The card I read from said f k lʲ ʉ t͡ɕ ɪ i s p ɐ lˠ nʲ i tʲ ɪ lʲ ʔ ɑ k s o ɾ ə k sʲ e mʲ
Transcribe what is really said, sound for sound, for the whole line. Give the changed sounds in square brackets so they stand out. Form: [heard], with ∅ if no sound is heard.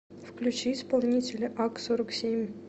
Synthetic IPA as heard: f k lʲ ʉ t͡ɕ [i] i s p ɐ lˠ nʲ i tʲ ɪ lʲ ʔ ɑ k s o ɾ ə k sʲ e mʲ